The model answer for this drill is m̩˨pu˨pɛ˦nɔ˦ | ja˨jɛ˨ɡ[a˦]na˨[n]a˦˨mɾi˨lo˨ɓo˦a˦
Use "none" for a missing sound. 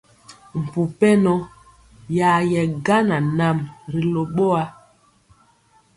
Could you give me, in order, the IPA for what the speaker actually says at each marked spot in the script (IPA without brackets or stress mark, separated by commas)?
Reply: a˦, n